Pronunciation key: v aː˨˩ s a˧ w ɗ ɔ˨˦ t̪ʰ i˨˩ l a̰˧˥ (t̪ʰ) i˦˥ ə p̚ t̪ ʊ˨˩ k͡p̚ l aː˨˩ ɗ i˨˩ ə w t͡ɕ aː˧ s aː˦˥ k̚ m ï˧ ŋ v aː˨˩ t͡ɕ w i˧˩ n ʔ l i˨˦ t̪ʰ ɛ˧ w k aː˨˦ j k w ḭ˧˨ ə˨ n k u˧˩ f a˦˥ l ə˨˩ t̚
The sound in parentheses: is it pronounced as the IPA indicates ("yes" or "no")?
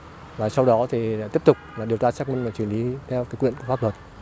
no